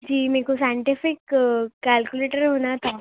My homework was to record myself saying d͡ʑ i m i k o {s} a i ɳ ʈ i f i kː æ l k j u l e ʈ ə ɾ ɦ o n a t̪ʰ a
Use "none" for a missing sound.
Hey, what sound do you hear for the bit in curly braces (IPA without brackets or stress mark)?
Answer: s